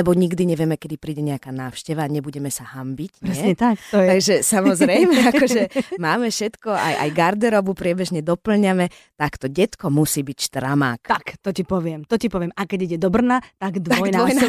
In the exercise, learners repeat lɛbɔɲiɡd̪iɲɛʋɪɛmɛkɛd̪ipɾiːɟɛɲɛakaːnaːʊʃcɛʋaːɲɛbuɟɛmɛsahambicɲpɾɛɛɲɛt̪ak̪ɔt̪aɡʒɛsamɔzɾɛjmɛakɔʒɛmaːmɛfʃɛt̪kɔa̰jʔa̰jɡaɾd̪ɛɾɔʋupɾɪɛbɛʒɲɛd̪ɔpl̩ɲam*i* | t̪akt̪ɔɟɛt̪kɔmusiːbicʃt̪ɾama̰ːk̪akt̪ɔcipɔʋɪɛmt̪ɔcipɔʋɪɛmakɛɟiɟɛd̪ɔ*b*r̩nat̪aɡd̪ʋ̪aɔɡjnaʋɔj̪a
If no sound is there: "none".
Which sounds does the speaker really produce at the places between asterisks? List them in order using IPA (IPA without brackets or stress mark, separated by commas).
ɛ, b